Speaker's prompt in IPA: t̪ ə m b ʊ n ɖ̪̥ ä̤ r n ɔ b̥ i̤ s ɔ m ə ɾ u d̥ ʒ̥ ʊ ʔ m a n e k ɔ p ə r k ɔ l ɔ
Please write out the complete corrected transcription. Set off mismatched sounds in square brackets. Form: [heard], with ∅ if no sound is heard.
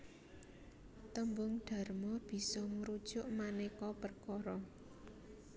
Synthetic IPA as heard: t̪ ə m b ʊ [ŋ] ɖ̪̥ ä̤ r [m] ɔ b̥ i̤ s ɔ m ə ɾ u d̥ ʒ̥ ʊ ʔ m a n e k ɔ p ə r k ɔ [ɾ] ɔ